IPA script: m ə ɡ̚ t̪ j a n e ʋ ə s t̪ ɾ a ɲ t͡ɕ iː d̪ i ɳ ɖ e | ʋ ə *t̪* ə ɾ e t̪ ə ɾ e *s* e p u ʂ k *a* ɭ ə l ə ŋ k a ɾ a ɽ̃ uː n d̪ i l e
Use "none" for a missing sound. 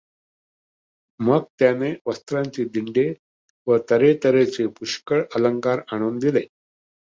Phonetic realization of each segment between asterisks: t̪, t͡s, ə

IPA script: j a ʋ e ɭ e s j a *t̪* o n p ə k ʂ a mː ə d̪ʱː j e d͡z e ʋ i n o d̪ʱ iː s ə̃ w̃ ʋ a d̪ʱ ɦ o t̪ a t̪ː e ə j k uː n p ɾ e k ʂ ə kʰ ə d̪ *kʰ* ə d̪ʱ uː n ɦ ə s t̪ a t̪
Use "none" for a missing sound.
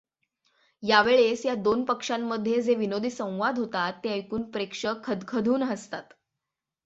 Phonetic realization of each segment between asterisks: d̪, kʰ

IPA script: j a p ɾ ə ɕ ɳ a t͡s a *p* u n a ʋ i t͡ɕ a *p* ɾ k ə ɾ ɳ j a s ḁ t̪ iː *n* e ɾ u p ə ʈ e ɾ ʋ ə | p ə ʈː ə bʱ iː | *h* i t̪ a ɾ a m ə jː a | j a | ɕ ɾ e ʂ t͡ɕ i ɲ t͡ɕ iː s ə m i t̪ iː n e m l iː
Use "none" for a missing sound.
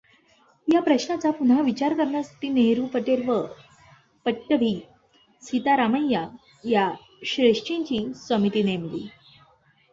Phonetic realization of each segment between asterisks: p, none, n, s

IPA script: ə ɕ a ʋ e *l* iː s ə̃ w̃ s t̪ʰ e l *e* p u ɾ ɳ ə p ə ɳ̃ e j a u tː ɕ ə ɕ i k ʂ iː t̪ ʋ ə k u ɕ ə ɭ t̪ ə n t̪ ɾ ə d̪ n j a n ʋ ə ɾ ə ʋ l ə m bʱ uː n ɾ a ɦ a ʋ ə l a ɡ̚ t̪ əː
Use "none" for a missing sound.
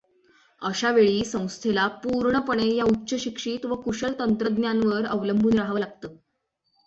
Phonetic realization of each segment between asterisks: ɭ, a

